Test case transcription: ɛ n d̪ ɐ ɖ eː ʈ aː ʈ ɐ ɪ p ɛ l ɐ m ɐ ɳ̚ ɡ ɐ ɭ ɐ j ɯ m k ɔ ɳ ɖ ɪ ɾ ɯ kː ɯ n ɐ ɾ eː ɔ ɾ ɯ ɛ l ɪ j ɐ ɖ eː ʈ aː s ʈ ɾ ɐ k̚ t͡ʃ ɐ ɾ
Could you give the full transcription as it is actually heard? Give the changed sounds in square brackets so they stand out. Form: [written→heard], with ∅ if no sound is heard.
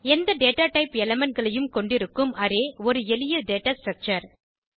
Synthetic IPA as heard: ɛ n d̪ ɐ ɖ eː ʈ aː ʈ ɐ ɪ p ɛ l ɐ m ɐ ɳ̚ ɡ ɐ ɭ ɐ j ɯ m k ɔ ɳ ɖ ɪ ɾ ɯ kː ɯ [n→m] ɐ ɾ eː ɔ ɾ ɯ ɛ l ɪ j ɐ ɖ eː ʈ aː s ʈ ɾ ɐ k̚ t͡ʃ ɐ ɾ